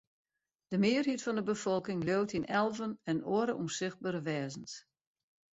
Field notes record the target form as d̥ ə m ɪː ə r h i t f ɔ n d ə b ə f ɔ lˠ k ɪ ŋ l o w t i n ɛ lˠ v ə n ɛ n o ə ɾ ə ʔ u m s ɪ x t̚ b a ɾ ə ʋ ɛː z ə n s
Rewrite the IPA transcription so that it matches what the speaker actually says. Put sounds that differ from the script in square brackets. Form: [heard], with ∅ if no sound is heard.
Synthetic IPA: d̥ ə m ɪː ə r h i t f ɔ n d ə b ə f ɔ lˠ k ɪ ŋ l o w t i n ɛ lˠ v ə n ɛ n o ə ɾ ə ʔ u m s ɪ x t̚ b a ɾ ə ʋ ɛː z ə n s